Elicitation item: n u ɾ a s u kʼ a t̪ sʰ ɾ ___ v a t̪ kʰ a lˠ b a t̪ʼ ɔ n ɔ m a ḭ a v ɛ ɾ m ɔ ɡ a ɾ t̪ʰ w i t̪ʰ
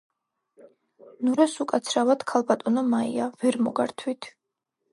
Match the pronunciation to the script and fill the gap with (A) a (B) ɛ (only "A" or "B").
A